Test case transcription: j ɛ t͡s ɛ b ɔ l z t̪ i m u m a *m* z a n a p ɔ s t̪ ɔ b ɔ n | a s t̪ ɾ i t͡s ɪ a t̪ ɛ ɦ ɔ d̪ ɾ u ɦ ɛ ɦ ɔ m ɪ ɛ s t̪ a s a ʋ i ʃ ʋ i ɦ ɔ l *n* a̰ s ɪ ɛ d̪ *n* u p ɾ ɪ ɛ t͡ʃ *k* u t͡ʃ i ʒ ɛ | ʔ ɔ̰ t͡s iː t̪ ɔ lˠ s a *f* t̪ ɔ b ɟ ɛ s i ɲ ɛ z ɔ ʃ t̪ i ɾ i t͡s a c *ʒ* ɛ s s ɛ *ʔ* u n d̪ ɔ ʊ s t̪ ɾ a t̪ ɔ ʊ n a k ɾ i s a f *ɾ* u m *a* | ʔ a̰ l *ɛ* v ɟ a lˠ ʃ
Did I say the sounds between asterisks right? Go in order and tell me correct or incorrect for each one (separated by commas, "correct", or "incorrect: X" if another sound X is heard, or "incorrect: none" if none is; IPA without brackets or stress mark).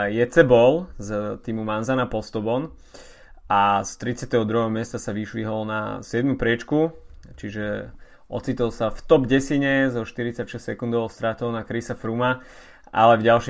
incorrect: n, correct, incorrect: m, correct, correct, incorrect: ʃ, incorrect: k, correct, correct, correct